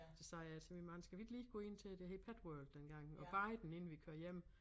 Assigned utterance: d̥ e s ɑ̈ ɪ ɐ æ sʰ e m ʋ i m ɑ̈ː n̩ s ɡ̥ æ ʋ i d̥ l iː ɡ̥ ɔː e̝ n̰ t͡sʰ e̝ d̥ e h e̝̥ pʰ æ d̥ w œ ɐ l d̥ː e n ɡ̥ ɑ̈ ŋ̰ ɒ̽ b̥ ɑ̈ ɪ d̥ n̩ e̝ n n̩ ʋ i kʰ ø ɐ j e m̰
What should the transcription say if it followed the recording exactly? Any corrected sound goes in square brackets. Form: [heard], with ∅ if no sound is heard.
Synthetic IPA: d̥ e s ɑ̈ ɪ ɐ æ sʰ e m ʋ i m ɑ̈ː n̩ s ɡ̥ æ ʋ i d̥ l iː ɡ̥ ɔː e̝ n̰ t͡sʰ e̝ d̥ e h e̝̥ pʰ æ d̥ w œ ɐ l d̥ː e n ɡ̥ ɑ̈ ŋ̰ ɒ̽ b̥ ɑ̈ ɪ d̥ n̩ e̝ n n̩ ʋ i kʰ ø ɐ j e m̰